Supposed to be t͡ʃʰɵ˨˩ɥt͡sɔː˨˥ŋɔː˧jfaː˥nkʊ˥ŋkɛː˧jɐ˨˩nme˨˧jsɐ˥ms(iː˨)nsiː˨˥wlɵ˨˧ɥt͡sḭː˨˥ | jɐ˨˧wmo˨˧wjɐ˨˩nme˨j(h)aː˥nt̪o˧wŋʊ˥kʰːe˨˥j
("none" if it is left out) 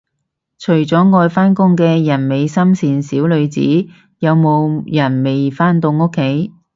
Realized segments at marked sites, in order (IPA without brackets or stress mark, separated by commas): iː˨, f